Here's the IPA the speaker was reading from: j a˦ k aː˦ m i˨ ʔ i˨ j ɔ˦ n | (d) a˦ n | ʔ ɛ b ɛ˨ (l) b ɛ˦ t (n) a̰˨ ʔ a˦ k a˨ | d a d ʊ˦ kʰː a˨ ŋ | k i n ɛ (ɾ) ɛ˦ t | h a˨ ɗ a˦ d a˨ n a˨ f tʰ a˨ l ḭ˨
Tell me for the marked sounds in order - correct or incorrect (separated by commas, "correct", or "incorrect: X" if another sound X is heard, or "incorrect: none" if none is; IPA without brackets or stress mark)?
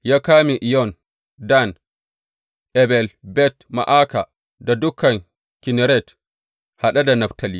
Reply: correct, correct, incorrect: m, correct